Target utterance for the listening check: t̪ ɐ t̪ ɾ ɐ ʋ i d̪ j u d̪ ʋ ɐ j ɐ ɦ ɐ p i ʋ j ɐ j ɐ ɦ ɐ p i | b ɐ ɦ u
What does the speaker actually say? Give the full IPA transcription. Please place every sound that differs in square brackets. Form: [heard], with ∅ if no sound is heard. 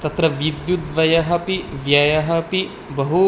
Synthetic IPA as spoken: t̪ ɐ t̪ ɾ ɐ ʋ i d̪ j u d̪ ʋ ɐ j ɐ ɦ ɐ p i ʋ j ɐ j ɐ ɦ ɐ p i | b ɐ ɦ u